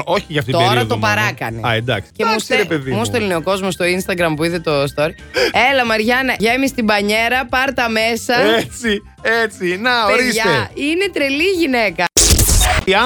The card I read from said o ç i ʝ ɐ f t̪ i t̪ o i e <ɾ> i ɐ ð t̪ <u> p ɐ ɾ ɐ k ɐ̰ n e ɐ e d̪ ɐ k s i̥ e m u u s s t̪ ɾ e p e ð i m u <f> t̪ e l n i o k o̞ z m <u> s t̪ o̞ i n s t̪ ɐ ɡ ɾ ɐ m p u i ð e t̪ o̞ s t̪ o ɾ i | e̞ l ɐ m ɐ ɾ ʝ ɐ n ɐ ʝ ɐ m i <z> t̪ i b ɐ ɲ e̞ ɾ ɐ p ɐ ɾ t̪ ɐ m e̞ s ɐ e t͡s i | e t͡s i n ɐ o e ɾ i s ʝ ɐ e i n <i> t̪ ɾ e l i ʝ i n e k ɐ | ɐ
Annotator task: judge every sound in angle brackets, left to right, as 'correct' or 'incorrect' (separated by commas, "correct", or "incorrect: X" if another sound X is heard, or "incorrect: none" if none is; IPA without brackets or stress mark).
correct, incorrect: o, incorrect: s, incorrect: o, incorrect: s, incorrect: e